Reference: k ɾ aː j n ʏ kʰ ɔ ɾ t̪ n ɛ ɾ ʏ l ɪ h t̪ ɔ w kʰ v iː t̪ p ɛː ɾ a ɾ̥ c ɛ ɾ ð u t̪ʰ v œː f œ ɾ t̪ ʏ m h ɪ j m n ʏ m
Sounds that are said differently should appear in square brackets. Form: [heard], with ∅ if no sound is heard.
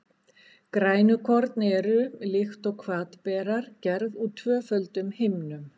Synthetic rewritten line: k ɾ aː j n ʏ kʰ ɔ ɾ t̪ n ɛ ɾ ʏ l ɪ [x] t̪ ɔ [ɣ] kʰ v [aː] t̪ p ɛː ɾ a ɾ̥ c ɛ ɾ ð u t̪ʰ v œː f œ [l] t̪ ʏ m h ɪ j m n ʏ m